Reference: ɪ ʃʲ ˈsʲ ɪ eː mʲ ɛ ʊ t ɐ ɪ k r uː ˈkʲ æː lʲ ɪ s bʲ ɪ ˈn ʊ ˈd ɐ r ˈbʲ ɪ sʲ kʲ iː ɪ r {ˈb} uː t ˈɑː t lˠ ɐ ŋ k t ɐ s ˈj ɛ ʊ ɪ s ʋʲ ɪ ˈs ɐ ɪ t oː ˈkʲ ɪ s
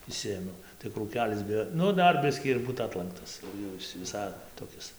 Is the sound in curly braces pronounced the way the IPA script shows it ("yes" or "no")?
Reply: yes